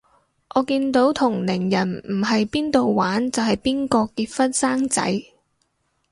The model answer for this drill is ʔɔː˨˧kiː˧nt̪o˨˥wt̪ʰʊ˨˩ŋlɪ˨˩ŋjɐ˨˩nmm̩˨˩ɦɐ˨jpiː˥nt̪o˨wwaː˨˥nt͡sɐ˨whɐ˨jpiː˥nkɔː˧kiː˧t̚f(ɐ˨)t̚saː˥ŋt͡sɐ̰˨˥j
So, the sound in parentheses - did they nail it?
no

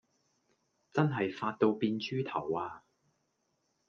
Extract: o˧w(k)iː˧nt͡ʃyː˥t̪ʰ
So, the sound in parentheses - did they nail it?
no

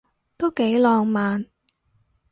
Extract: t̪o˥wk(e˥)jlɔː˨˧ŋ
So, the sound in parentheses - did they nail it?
no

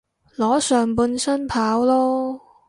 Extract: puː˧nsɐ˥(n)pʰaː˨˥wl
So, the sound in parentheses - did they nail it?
yes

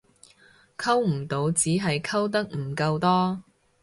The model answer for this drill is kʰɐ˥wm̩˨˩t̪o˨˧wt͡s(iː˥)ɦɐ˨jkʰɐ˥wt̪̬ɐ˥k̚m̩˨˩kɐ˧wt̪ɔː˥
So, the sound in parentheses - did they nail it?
no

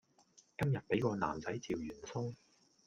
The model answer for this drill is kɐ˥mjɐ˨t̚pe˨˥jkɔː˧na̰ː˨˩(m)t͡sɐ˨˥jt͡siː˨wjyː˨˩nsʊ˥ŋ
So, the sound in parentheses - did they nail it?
yes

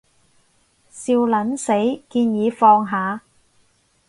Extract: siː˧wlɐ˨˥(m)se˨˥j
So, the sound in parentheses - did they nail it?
no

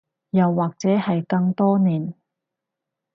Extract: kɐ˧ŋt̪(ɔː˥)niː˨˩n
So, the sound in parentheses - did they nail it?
yes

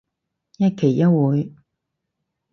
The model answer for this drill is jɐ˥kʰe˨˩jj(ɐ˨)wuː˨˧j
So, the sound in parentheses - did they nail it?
no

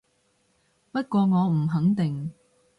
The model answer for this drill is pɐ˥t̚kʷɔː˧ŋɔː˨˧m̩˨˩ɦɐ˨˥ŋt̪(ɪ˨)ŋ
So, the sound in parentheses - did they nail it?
yes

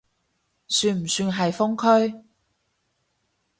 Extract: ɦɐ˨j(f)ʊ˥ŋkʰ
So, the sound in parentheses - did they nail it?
yes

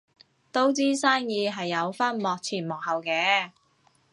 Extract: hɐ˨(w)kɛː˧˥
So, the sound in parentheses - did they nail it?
yes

